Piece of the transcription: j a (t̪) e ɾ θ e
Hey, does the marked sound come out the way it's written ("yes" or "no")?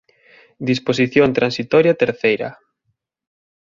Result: yes